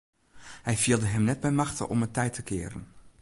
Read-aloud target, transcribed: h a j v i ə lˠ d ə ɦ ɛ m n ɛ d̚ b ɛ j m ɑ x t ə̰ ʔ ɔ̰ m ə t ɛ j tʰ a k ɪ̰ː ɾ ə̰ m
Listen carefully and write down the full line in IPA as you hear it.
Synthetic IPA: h ɛ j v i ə lˠ d ə ɦ ɛ m n ɛ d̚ b ɛ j m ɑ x t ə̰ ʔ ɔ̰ m ə t ɛ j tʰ ə k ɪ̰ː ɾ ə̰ n